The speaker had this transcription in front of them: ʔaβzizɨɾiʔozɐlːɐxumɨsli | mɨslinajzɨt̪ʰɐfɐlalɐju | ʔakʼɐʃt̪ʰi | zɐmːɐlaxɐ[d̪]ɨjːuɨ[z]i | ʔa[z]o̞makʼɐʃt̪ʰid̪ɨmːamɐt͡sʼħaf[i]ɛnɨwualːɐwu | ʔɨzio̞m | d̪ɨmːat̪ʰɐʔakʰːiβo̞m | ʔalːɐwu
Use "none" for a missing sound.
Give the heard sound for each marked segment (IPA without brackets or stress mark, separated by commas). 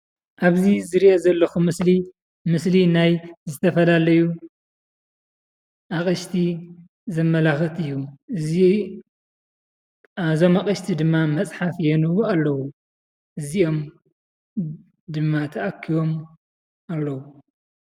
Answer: t̪, z, z, j